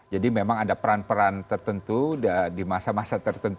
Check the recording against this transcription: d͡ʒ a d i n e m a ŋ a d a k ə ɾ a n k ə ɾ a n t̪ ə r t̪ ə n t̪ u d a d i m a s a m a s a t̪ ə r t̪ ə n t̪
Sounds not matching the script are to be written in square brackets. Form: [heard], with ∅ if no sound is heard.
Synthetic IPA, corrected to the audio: d͡ʒ a d i [m] e m a ŋ a d a [p] ə ɾ a n [p] ə ɾ a n t̪ ə r t̪ ə n t̪ u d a d i m a s a m a s a t̪ ə r t̪ ə n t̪